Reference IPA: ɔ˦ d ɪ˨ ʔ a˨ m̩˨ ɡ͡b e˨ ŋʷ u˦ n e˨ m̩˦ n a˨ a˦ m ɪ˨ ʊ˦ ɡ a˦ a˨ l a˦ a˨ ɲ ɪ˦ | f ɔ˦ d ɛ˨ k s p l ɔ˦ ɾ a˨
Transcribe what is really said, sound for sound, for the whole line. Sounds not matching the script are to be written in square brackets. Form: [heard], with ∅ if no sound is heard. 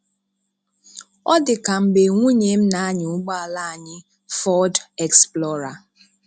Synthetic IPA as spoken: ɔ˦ d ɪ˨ [k] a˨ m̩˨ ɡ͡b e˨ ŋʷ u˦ [ɲ] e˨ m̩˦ n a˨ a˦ [ɲ] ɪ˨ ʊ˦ [ɡ͡b] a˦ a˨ l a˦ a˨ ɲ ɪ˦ | f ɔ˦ d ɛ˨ k s p l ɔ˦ ɾ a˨